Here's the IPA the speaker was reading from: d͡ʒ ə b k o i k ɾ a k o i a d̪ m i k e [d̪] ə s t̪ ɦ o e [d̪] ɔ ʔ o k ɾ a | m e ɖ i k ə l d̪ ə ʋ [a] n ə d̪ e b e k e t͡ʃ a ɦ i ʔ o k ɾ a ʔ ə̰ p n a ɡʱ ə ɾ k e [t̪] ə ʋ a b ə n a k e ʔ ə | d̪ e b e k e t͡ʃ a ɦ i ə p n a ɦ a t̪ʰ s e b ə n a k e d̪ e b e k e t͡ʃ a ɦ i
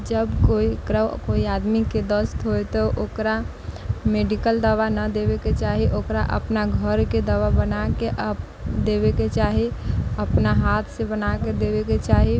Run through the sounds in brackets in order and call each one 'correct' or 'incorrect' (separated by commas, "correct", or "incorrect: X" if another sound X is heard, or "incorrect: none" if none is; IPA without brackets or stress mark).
correct, incorrect: t̪, correct, incorrect: d̪